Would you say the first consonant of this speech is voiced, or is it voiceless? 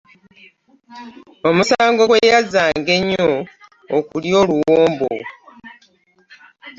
voiced